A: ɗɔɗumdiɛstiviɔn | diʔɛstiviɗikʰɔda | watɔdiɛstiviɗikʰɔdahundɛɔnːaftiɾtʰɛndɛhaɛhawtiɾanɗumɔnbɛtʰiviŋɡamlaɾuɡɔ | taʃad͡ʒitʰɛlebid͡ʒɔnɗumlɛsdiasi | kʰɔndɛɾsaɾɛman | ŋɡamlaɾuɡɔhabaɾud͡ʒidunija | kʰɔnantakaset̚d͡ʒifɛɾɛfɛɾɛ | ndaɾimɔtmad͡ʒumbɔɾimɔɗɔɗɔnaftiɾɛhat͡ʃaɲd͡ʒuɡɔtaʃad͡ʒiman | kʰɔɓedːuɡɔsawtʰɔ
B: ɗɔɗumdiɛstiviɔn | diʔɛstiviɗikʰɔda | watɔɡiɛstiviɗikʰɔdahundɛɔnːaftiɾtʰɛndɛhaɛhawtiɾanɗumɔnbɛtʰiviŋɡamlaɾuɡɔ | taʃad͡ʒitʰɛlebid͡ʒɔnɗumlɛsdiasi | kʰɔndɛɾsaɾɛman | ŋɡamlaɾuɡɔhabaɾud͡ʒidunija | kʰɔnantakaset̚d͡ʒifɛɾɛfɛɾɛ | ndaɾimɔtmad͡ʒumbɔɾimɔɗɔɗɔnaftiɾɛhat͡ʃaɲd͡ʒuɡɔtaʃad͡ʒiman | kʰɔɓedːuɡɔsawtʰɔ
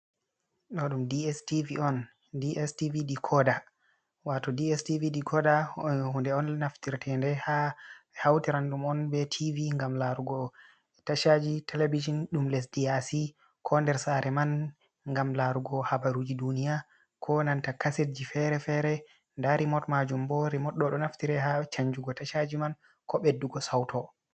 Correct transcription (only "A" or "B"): A